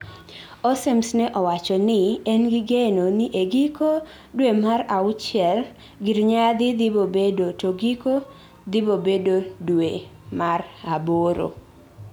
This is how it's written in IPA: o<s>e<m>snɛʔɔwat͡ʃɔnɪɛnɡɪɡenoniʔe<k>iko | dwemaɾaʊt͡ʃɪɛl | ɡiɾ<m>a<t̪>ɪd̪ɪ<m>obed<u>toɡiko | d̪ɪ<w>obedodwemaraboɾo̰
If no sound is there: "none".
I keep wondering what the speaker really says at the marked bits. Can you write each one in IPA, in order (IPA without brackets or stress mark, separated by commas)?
s, m, ɡ, ɲ, d̪, b, o, b